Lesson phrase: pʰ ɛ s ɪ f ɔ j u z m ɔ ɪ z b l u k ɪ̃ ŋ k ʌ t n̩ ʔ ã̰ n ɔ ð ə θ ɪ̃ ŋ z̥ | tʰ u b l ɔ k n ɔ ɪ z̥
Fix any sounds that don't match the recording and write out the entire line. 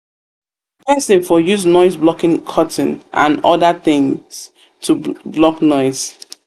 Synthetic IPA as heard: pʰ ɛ s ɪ f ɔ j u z n ɔ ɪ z b l ɔ k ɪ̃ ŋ kʰ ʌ t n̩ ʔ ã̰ n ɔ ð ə θ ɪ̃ ŋ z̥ | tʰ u b l ɔ k n ɔ ɪ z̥